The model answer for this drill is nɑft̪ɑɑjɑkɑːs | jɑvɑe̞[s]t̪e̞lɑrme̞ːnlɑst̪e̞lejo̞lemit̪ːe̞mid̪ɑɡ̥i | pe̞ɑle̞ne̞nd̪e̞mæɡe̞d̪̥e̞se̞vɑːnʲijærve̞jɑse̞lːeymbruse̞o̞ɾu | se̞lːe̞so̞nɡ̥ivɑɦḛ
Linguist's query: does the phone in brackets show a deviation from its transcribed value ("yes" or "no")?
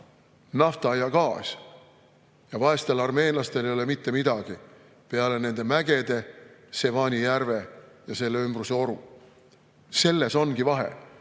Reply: no